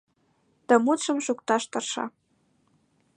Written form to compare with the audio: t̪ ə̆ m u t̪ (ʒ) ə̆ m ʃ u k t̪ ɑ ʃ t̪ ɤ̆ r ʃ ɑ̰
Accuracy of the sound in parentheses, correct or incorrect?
incorrect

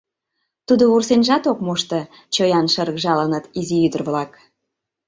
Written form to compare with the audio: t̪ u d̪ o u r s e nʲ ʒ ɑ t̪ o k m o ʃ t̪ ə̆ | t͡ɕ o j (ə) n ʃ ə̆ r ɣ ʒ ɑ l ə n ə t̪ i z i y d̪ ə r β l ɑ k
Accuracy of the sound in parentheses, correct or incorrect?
incorrect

